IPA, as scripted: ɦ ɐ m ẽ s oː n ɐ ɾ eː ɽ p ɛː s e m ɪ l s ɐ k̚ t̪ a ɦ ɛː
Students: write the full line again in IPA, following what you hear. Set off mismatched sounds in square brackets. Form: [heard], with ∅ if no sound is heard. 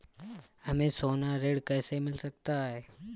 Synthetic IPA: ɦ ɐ m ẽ s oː n [a] ɾ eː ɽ [k] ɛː s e m ɪ l s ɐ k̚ t̪ a ɦ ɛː

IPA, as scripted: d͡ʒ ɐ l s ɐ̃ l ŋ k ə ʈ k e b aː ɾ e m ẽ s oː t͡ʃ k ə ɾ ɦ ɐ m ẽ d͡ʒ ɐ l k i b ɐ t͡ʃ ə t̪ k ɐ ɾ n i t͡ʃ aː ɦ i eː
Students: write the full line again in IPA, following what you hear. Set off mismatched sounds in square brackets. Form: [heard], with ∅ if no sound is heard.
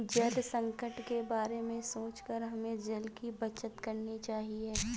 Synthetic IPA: d͡ʒ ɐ l s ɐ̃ [∅] ŋ k ə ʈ k e b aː ɾ e m ẽ s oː t͡ʃ k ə ɾ ɦ ɐ m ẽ d͡ʒ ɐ l k i b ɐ t͡ʃ ə t̪ k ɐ ɾ n i t͡ʃ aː ɦ i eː

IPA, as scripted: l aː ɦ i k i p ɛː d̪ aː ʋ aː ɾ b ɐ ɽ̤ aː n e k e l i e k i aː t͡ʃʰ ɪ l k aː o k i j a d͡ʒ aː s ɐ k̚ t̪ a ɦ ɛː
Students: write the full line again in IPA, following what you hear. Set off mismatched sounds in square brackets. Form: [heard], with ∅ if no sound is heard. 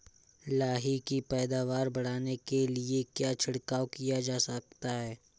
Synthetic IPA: l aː ɦ i k i p ɛː d̪ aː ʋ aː ɾ b ɐ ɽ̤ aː n e k e l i e k [j] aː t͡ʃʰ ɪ [ɽ] k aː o k i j a d͡ʒ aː s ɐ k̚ t̪ a ɦ ɛː

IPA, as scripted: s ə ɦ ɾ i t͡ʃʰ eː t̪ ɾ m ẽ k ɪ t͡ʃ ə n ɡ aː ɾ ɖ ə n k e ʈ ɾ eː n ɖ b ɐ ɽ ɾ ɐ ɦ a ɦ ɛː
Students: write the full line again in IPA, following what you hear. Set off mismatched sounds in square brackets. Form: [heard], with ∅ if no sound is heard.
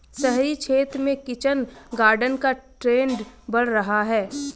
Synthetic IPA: s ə ɦ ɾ i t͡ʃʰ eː t̪ ɾ m ẽ k ɪ t͡ʃ ə n ɡ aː ɾ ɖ ə n k [a] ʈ ɾ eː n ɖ b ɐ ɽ ɾ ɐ ɦ a ɦ ɛː

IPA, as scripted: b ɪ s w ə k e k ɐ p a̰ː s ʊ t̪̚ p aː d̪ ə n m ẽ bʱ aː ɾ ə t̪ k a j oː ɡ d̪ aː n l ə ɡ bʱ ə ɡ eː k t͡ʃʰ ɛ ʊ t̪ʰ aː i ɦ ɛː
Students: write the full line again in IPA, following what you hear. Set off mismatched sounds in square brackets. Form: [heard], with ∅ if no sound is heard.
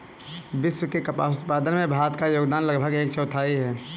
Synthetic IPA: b ɪ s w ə k e k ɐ p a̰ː s ʊ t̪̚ p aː d̪ ə n m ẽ bʱ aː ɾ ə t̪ k a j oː ɡ d̪ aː n l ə ɡ bʱ ə ɡ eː k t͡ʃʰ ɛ ʊ t̪ʰ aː i ɦ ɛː

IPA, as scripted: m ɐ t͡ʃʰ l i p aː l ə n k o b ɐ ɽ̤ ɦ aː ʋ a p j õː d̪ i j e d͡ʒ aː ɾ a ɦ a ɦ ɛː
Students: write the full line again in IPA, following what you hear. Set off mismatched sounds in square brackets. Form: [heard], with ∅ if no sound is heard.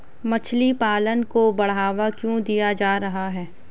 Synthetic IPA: m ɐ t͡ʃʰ l i p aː l ə n k o b ɐ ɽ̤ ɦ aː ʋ a [k] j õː d̪ i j [a] d͡ʒ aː ɾ [ɐ] ɦ a ɦ ɛː

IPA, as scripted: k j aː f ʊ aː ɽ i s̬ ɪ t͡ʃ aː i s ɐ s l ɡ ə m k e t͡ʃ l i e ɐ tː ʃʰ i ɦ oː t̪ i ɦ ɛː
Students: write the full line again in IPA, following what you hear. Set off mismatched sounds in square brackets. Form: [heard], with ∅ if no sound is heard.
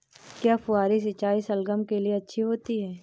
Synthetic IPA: k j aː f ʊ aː [ɾ] i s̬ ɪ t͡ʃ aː i s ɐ [∅] l ɡ ə m k e [∅] l i e ɐ tː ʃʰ i ɦ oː t̪ i ɦ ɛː

